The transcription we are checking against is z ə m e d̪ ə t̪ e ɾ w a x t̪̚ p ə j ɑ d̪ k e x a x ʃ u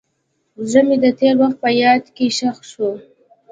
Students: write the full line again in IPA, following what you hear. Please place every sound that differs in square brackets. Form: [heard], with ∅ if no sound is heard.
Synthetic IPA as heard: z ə m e d̪ ə t̪ e ɾ w a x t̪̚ p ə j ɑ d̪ k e [ʃ] a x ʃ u